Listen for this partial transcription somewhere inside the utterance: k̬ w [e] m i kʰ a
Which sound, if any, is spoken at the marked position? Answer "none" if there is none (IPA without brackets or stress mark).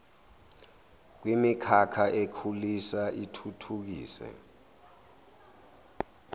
i